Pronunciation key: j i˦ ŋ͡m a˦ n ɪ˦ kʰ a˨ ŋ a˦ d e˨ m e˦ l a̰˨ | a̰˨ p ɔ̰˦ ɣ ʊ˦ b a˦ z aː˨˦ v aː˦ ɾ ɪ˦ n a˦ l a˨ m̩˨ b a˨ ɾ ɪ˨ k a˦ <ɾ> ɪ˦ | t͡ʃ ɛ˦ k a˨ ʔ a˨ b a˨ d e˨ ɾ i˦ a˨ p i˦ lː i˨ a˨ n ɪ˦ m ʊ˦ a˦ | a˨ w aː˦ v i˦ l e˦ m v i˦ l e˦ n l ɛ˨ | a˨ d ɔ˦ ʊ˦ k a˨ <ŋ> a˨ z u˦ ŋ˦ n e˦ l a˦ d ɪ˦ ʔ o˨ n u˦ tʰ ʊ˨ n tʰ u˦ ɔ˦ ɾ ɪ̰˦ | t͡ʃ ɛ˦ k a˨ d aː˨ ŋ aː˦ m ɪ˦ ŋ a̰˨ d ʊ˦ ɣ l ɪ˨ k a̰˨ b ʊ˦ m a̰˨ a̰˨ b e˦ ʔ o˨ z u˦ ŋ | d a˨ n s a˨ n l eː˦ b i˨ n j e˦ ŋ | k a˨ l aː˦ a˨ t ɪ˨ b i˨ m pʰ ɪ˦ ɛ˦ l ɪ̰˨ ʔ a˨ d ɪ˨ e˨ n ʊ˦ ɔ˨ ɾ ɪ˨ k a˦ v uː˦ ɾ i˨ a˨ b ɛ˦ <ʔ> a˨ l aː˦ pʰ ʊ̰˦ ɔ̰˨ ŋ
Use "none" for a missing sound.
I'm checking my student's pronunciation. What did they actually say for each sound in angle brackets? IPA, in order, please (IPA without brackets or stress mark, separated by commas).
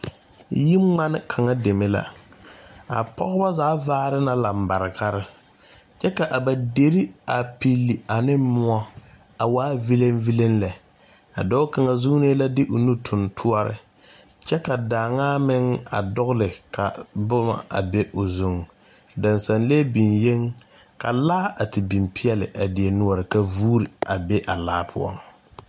ɾ, ŋ, ʔ